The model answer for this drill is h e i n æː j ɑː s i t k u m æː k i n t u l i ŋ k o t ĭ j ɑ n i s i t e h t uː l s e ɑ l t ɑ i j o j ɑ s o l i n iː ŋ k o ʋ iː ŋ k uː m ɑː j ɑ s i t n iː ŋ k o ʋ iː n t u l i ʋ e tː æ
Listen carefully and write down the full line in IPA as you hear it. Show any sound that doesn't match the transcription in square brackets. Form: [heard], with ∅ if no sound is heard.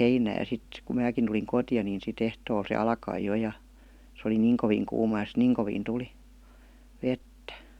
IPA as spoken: h e i n æː j [ɑ] s i t k u m æː k i n t u l i ŋ k o t ĭ j ɑ n i s i t e h t [oː] l s e ɑ l [k] ɑ i j o j ɑ s o l i n iː ŋ k o ʋ iː ŋ k uː m [ɑ] j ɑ s i t n iː ŋ k o ʋ iː n t u l i ʋ e tː æ